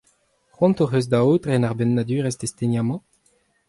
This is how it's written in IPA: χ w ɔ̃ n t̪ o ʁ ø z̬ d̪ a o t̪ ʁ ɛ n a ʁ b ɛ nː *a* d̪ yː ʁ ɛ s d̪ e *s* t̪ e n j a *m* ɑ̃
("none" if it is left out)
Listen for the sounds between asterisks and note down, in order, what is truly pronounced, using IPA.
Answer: a, s, m

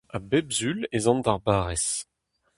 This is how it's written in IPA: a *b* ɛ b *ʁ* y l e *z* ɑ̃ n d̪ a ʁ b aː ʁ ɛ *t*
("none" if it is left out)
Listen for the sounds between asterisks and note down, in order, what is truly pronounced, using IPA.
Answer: b, z, z, s

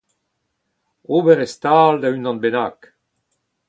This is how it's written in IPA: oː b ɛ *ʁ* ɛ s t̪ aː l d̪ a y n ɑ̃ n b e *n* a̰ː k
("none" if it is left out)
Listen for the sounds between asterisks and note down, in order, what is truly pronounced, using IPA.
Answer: ʁ, n

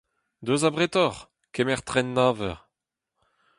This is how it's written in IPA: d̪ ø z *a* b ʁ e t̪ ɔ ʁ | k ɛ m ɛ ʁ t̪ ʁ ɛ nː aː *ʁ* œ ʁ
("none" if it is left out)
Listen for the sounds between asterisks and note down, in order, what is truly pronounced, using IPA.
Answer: a, v

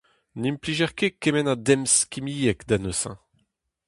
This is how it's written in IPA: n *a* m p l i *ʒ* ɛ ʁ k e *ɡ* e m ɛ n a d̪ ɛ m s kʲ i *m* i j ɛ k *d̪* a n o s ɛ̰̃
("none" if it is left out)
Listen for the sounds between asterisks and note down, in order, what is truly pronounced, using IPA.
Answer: i, ʒ, k, m, d̪

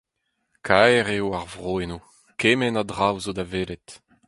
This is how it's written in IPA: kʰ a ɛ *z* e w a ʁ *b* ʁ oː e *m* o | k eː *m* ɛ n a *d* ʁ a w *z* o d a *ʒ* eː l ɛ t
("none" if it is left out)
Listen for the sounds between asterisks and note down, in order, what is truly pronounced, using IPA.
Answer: ʁ, v, n, m, d, z, v

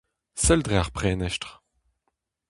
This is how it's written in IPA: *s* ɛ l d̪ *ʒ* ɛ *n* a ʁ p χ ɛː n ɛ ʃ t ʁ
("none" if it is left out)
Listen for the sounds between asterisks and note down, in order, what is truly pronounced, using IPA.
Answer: s, ʁ, none

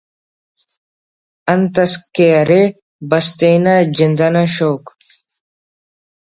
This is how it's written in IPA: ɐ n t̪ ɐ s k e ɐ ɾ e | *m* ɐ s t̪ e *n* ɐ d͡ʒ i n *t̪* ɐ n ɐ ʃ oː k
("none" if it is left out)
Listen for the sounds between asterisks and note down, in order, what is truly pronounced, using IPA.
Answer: b, n, d̪

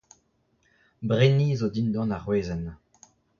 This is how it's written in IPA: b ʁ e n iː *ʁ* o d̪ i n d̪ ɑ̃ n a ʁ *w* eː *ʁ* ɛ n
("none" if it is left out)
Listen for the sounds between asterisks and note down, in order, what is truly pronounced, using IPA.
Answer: z, w, z

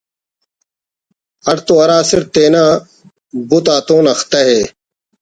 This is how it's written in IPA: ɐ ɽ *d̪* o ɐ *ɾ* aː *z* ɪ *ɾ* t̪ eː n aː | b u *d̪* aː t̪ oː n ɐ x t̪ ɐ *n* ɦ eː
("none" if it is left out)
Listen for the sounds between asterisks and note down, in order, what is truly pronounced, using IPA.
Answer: t̪, ɾ, s, ɾ, t̪, none

